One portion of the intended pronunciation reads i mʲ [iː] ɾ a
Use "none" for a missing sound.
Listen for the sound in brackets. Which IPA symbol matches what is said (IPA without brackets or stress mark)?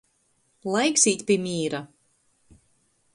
iː